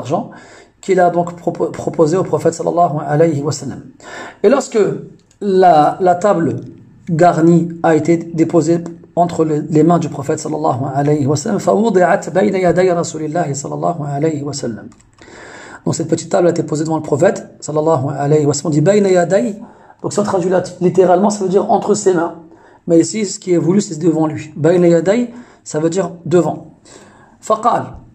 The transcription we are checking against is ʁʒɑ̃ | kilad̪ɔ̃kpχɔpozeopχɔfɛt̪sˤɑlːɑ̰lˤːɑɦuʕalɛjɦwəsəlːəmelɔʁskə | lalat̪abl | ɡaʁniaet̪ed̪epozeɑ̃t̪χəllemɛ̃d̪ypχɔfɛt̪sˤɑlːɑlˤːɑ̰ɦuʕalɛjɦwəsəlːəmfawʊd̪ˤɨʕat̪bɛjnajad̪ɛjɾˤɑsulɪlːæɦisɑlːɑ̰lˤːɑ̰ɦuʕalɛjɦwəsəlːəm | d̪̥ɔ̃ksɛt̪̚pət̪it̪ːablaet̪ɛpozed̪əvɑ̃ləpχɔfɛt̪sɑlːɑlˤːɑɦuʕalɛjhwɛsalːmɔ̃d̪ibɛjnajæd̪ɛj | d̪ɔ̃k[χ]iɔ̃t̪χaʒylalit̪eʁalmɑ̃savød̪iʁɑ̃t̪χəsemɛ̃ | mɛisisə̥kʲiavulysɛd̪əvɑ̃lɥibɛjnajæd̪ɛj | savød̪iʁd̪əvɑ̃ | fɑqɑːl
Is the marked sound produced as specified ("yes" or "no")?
no